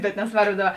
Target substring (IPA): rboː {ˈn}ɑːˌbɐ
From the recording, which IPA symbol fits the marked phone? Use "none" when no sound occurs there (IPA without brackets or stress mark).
d